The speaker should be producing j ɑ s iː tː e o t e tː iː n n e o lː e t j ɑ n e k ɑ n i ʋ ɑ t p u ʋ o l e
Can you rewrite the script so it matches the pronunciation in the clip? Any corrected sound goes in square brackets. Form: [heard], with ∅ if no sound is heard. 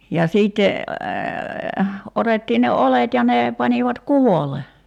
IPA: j ɑ s iː tː e o t e tː iː n n e o [l] e t j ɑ n e [p] ɑ n i ʋ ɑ t [k] u ʋ o l e